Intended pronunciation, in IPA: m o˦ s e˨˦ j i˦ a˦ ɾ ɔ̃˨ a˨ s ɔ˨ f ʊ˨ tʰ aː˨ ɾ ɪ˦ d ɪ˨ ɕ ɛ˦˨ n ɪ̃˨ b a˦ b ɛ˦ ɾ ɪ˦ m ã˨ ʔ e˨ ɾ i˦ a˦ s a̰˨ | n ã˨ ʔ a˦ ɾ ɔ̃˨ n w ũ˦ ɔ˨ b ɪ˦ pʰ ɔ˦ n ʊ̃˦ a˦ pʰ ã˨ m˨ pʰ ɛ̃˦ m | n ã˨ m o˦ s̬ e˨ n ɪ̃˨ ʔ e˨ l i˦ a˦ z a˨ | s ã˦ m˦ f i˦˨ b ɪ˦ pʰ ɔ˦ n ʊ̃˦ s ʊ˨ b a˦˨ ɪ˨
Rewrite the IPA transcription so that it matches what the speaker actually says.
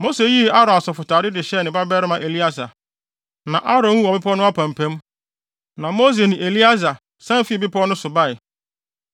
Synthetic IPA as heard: m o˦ s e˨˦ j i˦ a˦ ɾ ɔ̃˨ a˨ s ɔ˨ f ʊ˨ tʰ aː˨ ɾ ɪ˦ d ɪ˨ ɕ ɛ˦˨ n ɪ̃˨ b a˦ b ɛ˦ ɾ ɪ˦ m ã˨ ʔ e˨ l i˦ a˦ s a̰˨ | n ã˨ ʔ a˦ ɾ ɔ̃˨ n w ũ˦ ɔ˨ b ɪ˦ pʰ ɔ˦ n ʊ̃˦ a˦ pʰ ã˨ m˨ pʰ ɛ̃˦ m | n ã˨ m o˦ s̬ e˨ n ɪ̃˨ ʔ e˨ l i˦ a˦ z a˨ | s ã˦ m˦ f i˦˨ b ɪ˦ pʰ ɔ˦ n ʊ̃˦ s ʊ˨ b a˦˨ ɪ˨